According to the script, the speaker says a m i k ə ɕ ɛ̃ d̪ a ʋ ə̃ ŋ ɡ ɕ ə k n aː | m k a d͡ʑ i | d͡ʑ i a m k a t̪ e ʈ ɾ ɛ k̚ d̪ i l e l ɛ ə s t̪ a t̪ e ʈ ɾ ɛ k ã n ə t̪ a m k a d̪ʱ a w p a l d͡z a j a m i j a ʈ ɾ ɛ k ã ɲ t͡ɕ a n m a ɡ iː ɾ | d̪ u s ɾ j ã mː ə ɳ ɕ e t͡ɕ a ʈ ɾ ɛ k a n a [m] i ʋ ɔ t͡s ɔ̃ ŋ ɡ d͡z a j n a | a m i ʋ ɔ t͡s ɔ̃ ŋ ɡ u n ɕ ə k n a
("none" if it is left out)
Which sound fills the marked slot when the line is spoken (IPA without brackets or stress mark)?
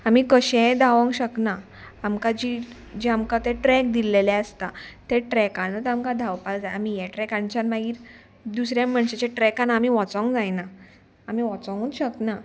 m